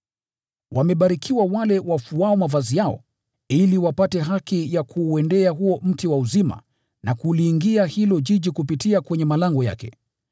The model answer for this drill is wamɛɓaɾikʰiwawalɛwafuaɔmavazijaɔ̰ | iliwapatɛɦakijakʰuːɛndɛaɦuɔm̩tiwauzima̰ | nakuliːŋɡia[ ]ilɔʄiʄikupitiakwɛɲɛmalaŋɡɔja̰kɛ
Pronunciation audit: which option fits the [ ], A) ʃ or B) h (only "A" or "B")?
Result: B